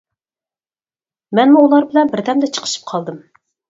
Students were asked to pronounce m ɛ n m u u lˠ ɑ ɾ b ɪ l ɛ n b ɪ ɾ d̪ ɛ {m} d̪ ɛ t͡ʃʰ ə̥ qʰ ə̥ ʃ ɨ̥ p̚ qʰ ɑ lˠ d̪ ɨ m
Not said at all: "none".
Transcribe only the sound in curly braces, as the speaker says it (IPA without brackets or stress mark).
m